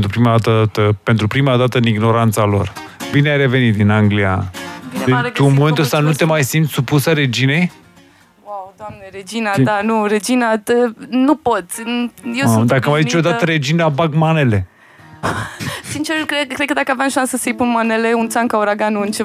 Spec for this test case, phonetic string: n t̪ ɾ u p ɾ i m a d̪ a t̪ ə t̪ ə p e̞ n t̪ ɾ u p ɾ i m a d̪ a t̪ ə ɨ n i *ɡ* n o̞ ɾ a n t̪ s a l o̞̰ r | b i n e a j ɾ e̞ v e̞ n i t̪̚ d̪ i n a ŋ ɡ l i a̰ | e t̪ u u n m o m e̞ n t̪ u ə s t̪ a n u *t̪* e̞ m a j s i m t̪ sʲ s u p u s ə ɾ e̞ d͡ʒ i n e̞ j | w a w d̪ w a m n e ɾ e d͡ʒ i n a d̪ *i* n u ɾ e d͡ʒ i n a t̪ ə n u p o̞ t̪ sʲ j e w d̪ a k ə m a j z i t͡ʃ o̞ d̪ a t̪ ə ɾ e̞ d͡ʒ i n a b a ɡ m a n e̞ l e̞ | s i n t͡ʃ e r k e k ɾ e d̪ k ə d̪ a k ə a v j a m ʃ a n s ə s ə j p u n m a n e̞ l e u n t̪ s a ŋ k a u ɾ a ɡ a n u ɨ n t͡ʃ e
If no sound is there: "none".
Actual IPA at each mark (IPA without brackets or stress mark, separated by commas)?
ɡ, t̪, a